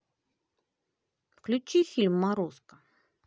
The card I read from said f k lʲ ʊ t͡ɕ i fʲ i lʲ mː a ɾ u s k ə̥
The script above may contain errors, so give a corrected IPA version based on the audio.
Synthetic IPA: f k lʲ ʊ t͡ɕ i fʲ i lʲ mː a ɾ o s k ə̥